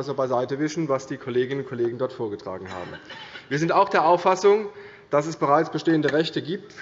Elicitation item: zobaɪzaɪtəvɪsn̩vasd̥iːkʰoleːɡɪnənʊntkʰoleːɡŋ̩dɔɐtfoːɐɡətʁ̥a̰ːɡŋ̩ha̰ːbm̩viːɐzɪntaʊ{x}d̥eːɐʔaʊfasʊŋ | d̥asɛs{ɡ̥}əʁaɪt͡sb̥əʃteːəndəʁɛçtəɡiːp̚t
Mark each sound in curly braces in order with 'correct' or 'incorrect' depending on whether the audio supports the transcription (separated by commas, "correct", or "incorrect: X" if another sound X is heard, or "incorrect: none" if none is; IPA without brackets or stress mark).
correct, incorrect: b̥